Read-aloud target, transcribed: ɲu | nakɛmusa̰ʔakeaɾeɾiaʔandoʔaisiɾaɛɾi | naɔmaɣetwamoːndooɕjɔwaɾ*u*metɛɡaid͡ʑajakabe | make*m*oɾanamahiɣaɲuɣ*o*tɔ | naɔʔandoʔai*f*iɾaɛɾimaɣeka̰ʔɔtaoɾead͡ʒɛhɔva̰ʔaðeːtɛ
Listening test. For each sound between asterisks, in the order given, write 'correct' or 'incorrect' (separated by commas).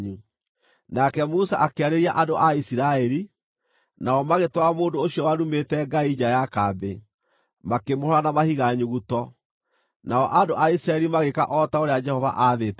correct, correct, incorrect, incorrect